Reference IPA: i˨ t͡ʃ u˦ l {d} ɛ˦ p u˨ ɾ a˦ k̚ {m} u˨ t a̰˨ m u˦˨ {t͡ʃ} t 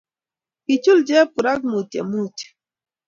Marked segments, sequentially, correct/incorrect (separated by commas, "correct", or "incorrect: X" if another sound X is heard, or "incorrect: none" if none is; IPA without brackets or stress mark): incorrect: d͡ʒ, correct, incorrect: none